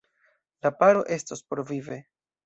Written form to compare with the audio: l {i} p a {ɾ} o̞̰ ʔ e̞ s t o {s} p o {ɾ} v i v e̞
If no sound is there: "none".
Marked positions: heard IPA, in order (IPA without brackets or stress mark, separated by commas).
a, ɾ, s, ɾ